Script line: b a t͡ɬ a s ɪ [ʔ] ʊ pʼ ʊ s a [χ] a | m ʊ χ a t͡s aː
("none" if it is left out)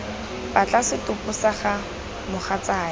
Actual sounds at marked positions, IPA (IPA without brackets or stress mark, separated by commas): t, χ